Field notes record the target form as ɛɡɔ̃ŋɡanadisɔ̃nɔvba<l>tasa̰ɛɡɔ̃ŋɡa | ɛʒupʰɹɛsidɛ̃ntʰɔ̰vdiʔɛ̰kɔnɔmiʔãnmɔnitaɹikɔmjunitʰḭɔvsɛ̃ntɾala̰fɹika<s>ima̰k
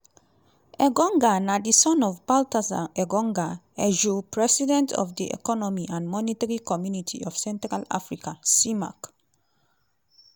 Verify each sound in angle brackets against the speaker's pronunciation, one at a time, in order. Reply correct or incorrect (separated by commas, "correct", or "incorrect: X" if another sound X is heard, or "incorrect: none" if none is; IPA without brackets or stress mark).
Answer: correct, correct